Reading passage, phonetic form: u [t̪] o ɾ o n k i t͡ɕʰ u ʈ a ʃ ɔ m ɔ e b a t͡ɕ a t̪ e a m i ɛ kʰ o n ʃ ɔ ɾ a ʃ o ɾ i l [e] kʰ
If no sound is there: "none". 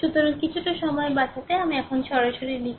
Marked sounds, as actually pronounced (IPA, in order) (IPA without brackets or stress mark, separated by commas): t̪, i